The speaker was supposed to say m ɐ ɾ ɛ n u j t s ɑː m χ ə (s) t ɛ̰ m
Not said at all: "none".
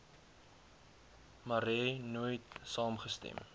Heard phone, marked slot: s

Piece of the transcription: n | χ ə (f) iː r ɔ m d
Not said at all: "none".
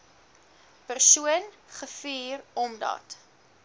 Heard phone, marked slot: f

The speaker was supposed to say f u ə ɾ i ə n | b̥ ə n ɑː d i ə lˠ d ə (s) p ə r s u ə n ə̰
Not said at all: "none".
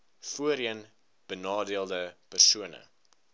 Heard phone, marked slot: none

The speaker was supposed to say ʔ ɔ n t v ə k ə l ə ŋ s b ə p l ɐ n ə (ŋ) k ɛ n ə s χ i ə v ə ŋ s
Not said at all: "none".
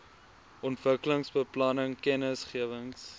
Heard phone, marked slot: ŋ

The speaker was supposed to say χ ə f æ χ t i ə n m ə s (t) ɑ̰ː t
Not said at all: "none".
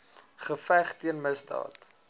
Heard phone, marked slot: d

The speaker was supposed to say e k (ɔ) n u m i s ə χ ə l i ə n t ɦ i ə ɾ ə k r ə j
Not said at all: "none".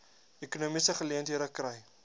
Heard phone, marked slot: u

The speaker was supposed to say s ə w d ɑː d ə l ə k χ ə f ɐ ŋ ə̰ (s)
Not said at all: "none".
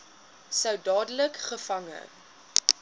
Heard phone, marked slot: none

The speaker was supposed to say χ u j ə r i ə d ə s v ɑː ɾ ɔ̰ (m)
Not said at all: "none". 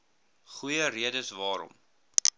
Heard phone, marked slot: m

